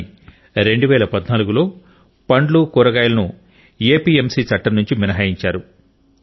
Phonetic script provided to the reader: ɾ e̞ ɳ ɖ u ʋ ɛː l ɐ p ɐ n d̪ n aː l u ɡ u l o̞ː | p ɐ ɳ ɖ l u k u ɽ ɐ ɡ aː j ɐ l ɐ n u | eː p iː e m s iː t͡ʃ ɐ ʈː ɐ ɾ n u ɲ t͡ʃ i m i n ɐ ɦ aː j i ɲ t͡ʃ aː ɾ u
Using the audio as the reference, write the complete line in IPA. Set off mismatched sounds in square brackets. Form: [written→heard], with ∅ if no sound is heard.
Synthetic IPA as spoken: ɾ e̞ ɳ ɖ u ʋ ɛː l ɐ p ɐ [n→∅] d̪ n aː l u ɡ u l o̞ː | p ɐ ɳ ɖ l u k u [ɽ→ɾ] ɐ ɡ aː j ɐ l ɐ n u | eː p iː e m s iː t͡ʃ ɐ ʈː ɐ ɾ n u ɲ t͡ʃ i m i n ɐ ɦ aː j i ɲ t͡ʃ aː ɾ u